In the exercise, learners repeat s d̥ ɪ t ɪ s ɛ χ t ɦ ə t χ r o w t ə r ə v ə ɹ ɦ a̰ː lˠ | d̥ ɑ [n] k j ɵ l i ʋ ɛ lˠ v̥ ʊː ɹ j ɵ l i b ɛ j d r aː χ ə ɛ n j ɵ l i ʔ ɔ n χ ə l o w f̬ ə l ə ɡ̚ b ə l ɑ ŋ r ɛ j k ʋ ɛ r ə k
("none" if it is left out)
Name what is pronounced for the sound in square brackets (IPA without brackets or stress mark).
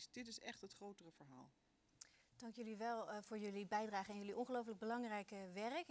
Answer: ŋ